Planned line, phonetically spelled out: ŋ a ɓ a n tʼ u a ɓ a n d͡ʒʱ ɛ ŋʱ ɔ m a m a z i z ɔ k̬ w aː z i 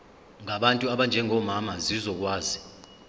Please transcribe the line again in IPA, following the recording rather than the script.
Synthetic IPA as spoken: ŋ a ɓ a n tʼ u a ɓ a n d͡ʒʱ ɛ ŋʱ ɔ m a m a z i z ɔ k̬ w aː z i